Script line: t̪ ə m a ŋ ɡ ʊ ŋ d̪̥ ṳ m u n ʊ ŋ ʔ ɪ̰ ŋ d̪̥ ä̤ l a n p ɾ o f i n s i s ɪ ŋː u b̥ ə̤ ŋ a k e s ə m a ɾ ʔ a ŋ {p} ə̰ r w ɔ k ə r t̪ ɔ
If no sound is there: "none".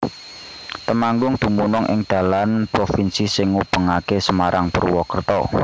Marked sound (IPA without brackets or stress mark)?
p